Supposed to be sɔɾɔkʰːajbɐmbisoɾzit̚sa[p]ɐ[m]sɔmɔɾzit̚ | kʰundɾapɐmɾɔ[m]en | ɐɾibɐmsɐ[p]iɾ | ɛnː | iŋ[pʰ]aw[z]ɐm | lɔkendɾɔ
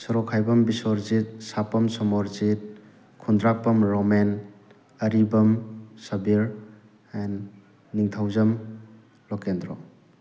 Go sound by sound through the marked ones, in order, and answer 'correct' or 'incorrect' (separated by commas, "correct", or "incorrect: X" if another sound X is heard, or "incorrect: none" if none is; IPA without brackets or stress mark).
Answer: correct, correct, correct, incorrect: b, incorrect: tʰ, correct